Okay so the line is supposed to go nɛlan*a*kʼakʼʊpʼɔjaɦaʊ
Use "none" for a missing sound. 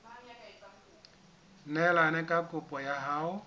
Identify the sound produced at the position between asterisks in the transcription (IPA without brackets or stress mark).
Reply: ɛ